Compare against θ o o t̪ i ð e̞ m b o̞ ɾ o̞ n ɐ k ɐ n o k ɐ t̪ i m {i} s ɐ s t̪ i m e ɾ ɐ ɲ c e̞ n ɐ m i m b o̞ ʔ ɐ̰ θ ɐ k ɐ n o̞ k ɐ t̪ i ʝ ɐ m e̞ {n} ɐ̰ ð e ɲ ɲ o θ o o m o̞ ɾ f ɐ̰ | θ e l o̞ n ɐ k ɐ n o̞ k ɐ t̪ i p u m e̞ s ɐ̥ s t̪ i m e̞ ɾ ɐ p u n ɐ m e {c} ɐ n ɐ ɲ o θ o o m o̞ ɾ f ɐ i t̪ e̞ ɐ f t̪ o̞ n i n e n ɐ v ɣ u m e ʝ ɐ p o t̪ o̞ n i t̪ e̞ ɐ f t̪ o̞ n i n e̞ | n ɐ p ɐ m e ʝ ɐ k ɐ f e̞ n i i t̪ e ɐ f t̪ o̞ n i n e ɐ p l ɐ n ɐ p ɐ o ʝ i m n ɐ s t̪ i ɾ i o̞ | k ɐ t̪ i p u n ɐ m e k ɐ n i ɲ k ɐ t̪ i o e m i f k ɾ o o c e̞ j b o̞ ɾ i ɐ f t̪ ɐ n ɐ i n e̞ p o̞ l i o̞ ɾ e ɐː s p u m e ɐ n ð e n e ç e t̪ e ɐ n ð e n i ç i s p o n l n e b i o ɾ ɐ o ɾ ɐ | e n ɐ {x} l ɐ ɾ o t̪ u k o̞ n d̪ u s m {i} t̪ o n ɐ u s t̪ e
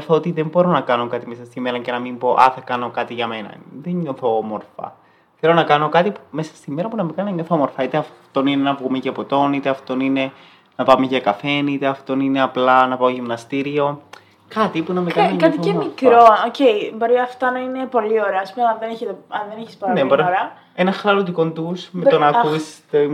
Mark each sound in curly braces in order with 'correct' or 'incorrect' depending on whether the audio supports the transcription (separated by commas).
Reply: incorrect, correct, incorrect, correct, incorrect